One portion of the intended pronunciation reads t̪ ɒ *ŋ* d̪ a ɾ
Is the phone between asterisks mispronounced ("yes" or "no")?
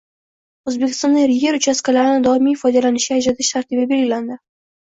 yes